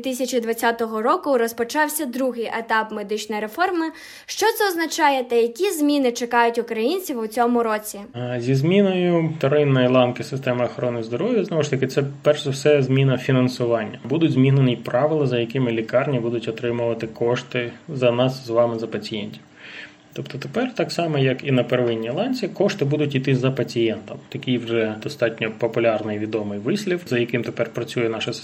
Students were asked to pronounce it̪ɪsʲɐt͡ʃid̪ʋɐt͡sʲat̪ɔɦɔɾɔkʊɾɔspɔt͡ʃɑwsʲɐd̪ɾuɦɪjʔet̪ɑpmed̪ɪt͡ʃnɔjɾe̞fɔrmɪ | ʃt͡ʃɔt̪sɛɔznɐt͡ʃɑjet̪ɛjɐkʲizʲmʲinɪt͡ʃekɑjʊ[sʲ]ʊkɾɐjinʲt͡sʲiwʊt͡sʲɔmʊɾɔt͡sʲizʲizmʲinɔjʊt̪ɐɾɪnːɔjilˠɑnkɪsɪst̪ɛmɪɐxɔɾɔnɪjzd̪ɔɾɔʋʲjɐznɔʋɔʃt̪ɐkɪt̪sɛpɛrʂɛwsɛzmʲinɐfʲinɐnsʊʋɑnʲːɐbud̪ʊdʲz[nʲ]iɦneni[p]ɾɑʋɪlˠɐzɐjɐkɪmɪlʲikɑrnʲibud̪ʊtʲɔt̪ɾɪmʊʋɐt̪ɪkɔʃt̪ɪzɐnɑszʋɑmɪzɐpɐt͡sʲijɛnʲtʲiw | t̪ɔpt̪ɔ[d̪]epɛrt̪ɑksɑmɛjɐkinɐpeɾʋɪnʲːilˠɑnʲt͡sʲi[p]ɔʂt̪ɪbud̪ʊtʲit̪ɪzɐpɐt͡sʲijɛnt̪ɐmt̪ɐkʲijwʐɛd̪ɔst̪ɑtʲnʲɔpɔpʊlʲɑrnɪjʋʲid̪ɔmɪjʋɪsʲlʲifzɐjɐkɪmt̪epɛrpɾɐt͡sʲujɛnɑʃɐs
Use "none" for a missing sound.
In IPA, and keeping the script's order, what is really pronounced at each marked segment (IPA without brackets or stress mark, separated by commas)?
tʲ, mʲ, p, t̪, k